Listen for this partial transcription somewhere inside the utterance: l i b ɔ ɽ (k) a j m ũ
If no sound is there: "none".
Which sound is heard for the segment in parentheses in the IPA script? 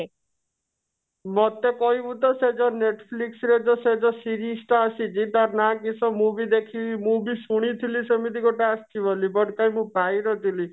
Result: k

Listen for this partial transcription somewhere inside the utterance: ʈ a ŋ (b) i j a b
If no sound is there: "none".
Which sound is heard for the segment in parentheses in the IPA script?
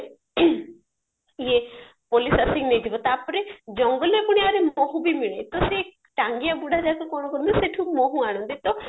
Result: ɡ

